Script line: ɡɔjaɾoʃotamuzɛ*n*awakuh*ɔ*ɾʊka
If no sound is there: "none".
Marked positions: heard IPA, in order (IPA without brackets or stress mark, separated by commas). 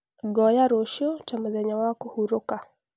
ɲ, u